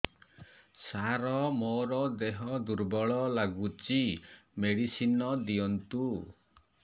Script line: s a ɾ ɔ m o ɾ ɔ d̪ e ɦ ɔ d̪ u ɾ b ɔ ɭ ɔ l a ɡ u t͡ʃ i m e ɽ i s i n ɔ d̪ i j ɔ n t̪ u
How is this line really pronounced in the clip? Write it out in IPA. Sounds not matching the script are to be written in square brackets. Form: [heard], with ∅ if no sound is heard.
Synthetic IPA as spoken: s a ɾ ɔ m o ɾ ɔ d̪ e ɦ ɔ d̪ u ɾ b ɔ ɭ ɔ l a ɡ u t͡ʃ i m e ɽ i s i n ɔ d̪ i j ɔ n t̪ u